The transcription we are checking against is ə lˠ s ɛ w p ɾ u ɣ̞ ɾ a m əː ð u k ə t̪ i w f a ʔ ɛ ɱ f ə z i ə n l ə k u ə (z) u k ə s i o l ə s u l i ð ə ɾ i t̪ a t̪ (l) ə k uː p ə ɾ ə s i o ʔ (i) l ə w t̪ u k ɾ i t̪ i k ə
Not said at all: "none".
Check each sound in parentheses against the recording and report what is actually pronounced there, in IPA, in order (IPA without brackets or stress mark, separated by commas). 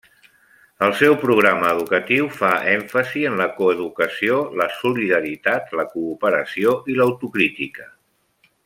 ð, l, i